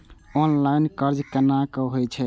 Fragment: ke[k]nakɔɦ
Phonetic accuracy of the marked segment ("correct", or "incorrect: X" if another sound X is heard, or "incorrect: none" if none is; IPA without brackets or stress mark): incorrect: none